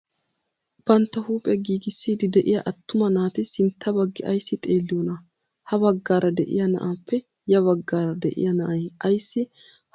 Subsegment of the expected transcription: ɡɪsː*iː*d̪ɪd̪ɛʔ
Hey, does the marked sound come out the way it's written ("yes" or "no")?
yes